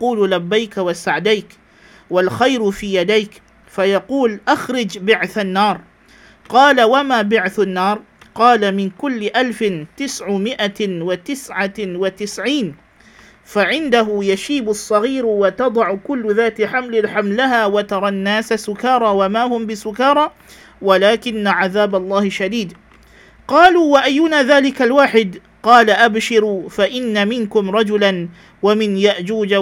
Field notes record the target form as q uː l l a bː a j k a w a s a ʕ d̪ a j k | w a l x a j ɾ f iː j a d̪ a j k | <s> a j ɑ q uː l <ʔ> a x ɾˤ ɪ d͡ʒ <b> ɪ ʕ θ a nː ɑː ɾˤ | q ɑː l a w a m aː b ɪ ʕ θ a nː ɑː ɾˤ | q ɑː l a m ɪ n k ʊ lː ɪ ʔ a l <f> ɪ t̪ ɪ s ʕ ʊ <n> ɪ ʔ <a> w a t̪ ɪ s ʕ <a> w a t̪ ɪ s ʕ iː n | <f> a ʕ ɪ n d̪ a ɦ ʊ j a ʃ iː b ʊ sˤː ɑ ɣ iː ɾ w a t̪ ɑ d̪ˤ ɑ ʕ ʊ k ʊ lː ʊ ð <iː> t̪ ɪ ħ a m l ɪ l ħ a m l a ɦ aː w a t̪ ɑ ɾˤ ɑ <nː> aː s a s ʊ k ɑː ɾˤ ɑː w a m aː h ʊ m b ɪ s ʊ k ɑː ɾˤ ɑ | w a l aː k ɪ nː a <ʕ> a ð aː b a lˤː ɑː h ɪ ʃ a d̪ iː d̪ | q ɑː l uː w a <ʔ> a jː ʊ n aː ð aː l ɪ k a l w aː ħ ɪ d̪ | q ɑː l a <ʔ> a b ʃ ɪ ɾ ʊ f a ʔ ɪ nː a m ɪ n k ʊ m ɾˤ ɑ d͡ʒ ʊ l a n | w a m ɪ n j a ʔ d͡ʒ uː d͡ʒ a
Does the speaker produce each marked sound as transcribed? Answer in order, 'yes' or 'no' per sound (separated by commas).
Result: no, yes, yes, yes, no, yes, yes, yes, no, yes, yes, yes, yes